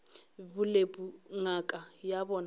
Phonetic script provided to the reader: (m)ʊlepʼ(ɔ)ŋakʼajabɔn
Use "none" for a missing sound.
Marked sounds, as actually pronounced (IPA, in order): b, u

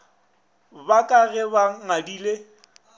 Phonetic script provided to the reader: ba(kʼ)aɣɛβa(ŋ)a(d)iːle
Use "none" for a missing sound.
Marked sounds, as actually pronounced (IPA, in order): kʼ, ŋ, d

